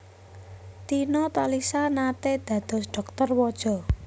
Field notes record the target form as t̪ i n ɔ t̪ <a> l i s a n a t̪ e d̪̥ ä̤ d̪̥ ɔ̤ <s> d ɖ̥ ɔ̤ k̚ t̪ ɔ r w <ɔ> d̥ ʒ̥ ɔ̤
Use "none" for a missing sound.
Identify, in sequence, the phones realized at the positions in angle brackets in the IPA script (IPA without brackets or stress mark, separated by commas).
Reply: a, s, ɔ